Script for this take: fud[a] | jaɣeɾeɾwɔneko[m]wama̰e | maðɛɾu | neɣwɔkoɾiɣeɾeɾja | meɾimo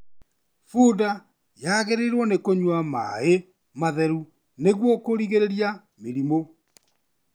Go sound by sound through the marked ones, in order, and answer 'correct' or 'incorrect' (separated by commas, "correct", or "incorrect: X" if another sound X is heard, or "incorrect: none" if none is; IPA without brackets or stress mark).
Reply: correct, incorrect: ɲ